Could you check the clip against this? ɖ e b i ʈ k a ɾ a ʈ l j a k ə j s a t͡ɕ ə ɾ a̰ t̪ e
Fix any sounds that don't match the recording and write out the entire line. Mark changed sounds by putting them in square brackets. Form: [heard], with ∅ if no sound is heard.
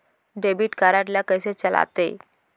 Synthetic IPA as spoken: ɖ e b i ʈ k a ɾ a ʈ l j a k ə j s [e] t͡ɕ ə [l] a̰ t̪ e